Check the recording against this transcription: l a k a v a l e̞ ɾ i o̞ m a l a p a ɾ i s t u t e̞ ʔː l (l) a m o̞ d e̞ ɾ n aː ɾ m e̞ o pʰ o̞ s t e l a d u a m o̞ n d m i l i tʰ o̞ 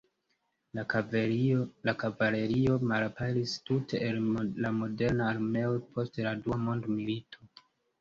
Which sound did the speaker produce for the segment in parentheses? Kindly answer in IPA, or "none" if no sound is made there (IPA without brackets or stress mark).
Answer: l